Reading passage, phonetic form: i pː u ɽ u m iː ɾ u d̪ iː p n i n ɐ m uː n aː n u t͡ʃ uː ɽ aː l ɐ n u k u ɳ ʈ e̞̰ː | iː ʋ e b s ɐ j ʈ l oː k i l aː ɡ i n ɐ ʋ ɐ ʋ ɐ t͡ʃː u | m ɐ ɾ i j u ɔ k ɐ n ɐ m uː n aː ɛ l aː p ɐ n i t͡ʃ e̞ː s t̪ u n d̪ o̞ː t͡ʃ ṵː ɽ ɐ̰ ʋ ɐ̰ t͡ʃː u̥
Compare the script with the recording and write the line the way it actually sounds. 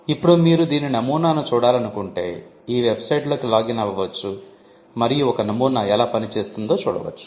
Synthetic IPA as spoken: i pː u ɽ u m iː ɾ u d̪ iː n i n ɐ m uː n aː n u t͡ʃ uː ɽ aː l ɐ n u k u ɳ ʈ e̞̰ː | iː ʋ e b s ɐ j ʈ l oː k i l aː ɡ i n ɐ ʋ ɐ ʋ ɐ t͡ʃː u | m ɐ ɾ i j u ɔ k ɐ n ɐ m uː n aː ɛ l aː p ɐ n i t͡ʃ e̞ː s t̪ u n d̪ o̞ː t͡ʃ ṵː ɽ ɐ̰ ʋ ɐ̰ t͡ʃː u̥